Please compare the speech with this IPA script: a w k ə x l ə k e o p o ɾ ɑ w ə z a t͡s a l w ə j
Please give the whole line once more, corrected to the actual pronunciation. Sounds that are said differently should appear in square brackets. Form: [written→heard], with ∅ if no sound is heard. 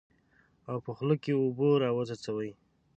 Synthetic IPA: a w [k→p] ə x l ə k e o [p→b] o ɾ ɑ w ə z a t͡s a [l→∅] w ə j